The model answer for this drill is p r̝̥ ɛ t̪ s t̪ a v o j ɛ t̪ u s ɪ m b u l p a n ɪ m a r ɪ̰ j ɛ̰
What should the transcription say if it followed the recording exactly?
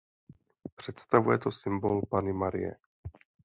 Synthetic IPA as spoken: p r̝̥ ɛ t̪ s t̪ a v u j ɛ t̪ o s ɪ m b o l p a n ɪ m a ɾ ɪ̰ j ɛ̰